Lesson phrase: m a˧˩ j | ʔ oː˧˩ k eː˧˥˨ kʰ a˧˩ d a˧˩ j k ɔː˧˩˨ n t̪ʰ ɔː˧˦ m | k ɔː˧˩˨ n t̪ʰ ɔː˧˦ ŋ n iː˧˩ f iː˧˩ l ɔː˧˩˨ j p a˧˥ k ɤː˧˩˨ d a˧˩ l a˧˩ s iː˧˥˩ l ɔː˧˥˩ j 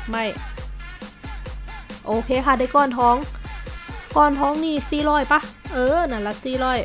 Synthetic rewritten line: m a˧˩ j | ʔ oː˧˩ kʰ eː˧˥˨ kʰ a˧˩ d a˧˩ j k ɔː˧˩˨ n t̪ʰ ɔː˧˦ ŋ | k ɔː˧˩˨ n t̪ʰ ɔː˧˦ ŋ n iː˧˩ s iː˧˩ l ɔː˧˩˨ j p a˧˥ ʔ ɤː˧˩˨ n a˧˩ l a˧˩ s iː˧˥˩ l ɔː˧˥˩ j